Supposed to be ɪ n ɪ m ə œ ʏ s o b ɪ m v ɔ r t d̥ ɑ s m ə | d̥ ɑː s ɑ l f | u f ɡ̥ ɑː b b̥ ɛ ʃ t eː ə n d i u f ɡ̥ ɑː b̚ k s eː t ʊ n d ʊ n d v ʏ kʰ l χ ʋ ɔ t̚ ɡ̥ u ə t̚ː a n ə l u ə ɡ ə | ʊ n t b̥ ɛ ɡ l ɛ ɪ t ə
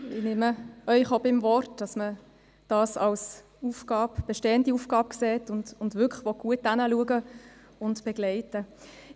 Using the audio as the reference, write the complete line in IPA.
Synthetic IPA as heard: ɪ n ɪ m ə œ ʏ χ o b ɪ m v ɔ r t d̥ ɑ s m ə | d̥ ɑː s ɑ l s | u f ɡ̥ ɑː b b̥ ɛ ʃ t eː ə n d i u f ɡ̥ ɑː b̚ k s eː t ʊ n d ʊ n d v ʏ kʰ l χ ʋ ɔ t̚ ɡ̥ u ə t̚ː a n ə l u ə ɡ ə | ʊ n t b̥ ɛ ɡ l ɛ ɪ t ə